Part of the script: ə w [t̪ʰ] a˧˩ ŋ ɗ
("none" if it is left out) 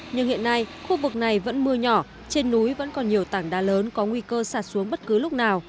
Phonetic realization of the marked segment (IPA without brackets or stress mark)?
t̪